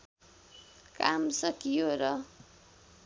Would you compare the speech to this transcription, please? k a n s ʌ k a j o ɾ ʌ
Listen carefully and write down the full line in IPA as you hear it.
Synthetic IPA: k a m s ʌ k i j o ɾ ʌ